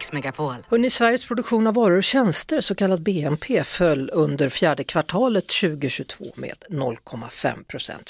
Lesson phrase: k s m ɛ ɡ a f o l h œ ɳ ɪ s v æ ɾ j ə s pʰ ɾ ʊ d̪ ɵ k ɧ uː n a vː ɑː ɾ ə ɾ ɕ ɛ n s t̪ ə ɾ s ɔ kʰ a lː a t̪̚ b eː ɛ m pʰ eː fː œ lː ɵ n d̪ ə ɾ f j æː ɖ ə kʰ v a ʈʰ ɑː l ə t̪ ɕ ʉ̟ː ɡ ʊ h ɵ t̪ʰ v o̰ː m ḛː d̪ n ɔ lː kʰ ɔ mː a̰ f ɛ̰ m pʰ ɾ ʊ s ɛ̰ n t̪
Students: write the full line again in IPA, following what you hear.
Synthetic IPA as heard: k s m ɛ ɡ a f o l h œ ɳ ɪ s v æ ɾ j ə s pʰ ɾ ʊ d̪ ɵ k ɧ uː n a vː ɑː ɾ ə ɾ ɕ ɛ n s t̪ ə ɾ s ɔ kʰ a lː a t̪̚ b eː ɛ m pʰ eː f œ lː ɵ n d̪ ə ɾ f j æː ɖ ə kʰ v a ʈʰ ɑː l ə t̪ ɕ ʉ̟ː ɡ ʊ ɕ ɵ t̪ʰ v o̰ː m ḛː d̪ n ɔ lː kʰ ɔ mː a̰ f ɛ̰ m pʰ ɾ ʊ s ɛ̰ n t̪